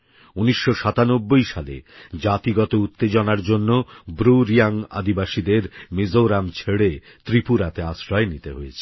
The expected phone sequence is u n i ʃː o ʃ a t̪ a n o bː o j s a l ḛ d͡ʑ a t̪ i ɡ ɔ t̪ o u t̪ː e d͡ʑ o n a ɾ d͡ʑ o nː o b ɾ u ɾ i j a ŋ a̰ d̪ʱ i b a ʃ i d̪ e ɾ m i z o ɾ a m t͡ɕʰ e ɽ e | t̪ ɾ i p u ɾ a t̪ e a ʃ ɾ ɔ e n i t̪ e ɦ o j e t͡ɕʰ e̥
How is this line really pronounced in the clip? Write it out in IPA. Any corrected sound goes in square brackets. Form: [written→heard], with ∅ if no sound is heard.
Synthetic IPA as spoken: u n i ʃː o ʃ a t̪ a n o bː o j [s→ʃ] a l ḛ d͡ʑ a t̪ i ɡ ɔ t̪ o u t̪ː e d͡ʑ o n a ɾ d͡ʑ o nː o b ɾ u ɾ i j a ŋ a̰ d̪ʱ i b a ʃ i d̪ e ɾ m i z o ɾ a m t͡ɕʰ e ɽ e | t̪ ɾ i p u ɾ a t̪ e a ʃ ɾ ɔ e n i t̪ e ɦ o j e t͡ɕʰ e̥